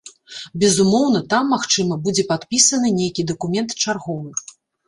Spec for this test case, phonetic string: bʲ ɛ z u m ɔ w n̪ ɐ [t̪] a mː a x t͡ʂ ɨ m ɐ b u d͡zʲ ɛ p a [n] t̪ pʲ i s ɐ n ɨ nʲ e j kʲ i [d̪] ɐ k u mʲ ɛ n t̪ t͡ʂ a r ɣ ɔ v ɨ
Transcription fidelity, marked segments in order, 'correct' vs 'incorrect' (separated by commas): correct, incorrect, correct